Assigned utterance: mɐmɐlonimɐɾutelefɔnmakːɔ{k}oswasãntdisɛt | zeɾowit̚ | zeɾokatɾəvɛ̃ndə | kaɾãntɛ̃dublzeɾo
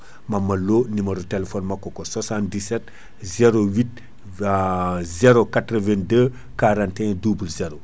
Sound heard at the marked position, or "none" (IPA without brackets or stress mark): k